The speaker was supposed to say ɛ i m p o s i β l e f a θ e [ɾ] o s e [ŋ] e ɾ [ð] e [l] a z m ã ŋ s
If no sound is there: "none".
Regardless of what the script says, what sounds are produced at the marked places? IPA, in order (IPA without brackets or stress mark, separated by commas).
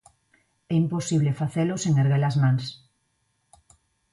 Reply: l, ŋ, ɣ, l